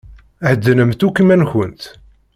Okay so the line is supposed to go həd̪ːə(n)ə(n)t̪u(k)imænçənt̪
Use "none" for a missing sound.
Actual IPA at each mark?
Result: n, m, k

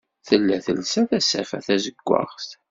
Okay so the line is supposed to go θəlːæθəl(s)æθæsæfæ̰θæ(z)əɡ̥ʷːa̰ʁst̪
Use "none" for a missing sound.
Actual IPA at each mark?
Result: s, z

